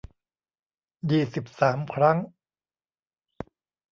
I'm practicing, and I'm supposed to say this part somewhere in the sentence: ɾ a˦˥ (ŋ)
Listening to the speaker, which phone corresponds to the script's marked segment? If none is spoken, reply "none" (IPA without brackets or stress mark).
ŋ